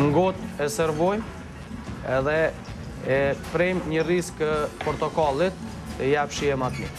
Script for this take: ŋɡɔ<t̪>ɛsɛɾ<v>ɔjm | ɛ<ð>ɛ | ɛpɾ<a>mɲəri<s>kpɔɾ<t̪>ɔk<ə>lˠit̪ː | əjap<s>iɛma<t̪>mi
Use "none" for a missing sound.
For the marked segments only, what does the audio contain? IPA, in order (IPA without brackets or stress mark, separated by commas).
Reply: t̪, v, ð, ɛ, s, t̪, a, ʃ, t̪